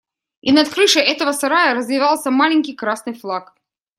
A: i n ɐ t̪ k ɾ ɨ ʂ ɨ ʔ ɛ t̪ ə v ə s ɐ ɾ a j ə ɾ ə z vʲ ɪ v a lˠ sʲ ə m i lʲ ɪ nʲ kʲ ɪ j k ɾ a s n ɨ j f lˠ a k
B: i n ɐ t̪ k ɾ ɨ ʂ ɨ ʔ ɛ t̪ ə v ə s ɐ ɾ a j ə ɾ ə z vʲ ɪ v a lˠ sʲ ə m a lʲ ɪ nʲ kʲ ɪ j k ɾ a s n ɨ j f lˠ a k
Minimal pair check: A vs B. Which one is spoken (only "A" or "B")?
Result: B